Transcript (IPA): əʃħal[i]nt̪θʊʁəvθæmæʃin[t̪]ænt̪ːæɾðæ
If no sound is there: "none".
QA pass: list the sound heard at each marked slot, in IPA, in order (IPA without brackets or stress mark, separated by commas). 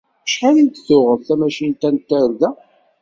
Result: i, t̪